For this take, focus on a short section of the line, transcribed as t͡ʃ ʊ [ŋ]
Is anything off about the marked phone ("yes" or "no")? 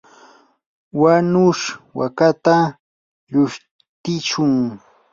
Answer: no